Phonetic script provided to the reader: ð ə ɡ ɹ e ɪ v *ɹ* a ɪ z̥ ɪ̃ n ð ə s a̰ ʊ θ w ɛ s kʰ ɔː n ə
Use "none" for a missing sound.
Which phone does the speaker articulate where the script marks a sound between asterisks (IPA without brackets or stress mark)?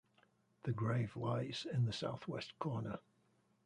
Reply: l